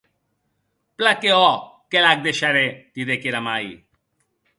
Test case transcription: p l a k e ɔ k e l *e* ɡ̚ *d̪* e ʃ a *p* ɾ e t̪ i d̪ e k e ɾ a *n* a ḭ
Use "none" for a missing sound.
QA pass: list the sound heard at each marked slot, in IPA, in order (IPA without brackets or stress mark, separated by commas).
a, d̪, none, m